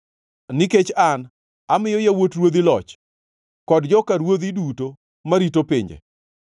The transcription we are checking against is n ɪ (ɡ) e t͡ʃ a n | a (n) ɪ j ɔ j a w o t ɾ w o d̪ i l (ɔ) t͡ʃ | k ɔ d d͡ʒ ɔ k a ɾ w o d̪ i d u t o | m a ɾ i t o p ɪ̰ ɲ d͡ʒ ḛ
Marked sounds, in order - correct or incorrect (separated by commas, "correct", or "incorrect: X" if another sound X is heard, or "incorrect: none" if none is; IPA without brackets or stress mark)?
incorrect: k, incorrect: m, correct